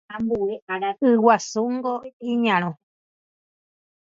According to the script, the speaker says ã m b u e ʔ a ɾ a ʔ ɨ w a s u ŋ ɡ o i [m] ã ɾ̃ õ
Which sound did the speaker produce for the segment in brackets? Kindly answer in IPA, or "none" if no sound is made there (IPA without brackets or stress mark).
ɲ